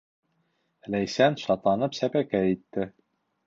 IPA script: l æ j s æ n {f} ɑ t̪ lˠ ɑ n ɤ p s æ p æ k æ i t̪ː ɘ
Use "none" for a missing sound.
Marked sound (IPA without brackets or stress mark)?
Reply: ʃ